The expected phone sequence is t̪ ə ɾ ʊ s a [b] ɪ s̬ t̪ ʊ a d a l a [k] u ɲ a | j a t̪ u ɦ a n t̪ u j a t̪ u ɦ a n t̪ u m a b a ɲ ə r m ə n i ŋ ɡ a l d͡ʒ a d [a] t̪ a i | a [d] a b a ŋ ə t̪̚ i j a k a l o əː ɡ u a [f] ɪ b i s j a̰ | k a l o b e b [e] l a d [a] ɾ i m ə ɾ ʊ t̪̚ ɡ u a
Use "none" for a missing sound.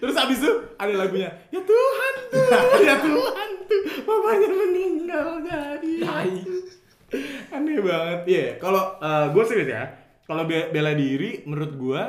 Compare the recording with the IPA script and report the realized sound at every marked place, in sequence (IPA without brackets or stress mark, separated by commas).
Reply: b, ɡ, i, n, s, e, i